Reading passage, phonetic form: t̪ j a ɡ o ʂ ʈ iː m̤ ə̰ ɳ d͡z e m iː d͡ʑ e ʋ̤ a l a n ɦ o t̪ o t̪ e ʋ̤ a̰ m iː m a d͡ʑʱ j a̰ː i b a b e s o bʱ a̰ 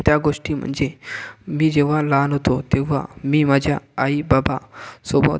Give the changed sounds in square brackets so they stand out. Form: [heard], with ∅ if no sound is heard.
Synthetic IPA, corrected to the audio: t̪ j a ɡ o ʂ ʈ iː m̤ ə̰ ɳ d͡z e m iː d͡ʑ e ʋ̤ a l a n ɦ o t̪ o t̪ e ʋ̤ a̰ m iː m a d͡ʑʱ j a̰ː i b a b [a] s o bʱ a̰